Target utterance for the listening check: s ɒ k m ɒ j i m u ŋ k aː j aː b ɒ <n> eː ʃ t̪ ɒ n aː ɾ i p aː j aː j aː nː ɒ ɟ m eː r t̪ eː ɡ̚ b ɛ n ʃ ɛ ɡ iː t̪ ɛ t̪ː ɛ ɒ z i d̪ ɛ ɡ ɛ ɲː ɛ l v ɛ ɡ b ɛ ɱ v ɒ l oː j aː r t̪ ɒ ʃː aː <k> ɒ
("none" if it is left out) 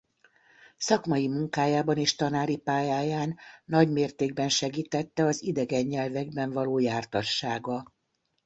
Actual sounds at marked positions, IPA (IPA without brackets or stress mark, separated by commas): n, ɡ